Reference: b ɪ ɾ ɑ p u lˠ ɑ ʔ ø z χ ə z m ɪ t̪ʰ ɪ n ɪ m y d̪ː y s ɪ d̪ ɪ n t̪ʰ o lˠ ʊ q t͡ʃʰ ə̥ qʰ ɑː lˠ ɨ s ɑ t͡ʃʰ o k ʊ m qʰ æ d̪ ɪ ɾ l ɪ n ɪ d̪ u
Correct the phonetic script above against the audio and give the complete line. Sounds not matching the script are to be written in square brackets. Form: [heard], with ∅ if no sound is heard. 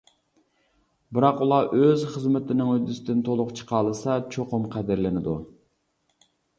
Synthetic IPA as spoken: b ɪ ɾ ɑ [q] u lˠ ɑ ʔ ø z χ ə z m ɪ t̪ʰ ɪ n ɪ [ŋ] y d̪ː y s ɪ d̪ ɪ n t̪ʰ o lˠ ʊ q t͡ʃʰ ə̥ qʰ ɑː lˠ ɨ s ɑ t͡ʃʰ o [q] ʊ m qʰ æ d̪ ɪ ɾ l ɪ n ɪ d̪ u